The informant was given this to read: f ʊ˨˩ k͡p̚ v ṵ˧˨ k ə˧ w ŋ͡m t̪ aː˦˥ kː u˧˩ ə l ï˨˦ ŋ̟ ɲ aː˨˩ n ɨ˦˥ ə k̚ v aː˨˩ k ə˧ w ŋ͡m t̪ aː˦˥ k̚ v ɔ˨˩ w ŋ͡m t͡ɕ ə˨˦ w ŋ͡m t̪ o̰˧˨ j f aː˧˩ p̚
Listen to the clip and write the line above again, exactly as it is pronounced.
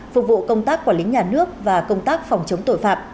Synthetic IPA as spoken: f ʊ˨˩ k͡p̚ v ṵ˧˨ k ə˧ w ŋ͡m t̪ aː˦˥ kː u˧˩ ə l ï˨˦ ŋ̟ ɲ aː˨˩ n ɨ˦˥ ə k̚ v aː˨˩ k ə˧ w ŋ͡m t̪ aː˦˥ k̚ f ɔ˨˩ w ŋ͡m t͡ɕ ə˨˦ w ŋ͡m t̪ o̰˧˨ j f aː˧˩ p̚